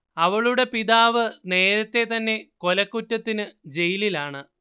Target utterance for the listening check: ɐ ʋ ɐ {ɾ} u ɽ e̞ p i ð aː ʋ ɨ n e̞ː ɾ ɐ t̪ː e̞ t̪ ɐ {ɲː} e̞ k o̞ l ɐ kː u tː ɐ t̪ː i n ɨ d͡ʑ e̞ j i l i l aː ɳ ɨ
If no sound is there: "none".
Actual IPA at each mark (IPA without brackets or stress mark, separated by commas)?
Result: ɭ, nː